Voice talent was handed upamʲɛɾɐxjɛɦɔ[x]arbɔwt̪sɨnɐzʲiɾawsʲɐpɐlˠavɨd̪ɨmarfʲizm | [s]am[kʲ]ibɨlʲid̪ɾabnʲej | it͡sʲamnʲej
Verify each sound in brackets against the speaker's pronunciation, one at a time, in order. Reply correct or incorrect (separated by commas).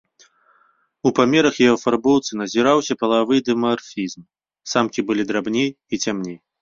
incorrect, correct, correct